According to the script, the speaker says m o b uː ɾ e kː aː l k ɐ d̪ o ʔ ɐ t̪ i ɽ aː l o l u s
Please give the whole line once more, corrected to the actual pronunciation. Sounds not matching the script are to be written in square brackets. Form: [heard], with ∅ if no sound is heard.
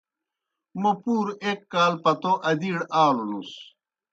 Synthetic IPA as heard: m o [p] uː ɾ e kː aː l [p] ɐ [t̪] o ʔ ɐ [d̪] i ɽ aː l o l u s